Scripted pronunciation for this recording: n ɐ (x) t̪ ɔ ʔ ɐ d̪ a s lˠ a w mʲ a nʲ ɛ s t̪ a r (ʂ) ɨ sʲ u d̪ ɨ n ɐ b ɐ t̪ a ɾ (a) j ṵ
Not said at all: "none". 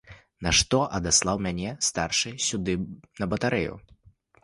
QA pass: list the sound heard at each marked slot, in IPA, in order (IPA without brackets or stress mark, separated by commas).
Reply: ʂ, ʂ, ɛ